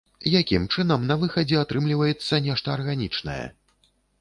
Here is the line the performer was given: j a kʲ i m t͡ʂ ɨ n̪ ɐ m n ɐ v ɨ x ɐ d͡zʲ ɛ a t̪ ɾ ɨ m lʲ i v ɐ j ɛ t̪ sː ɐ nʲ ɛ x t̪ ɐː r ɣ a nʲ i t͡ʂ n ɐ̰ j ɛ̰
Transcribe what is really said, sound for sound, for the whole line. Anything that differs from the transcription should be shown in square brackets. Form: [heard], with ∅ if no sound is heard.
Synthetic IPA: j a kʲ i m t͡ʂ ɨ n̪ ɐ m n ɐ v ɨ x ɐ d͡zʲ ɛ a t̪ ɾ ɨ m lʲ i v ɐ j ɛ t̪ sː ɐ nʲ ɛ [ʂ] t̪ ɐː r ɣ a nʲ i t͡ʂ n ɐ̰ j ɛ̰